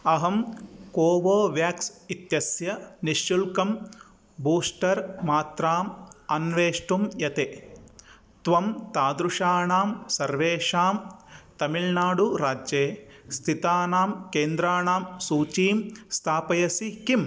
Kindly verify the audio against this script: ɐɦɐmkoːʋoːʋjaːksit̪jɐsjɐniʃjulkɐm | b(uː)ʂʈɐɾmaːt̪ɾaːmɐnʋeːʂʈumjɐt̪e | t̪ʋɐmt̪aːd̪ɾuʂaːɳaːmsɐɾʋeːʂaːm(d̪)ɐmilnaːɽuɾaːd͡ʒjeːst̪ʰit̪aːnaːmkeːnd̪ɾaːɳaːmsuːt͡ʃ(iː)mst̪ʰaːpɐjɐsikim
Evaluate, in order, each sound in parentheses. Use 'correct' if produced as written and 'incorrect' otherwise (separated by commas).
correct, incorrect, correct